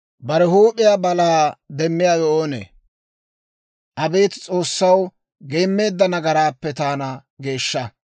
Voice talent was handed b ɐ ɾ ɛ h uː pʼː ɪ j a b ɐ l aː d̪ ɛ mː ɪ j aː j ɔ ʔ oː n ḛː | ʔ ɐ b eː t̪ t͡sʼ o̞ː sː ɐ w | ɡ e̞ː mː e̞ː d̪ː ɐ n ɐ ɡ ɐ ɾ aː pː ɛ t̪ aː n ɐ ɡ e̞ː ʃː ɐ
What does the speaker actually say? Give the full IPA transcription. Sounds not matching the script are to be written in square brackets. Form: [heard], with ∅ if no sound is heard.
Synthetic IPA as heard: b ɐ ɾ ɛ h uː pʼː ɪ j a b ɐ l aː d̪ ɛ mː ɪ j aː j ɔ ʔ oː n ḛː | ʔ ɐ b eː t̪ t͡sʼ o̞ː sː ɐ w | ɡ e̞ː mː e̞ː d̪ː ɐ n ɐ ɡ ɐ ɾ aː pː ɛ t̪ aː n ɐ ɡ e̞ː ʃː ɐ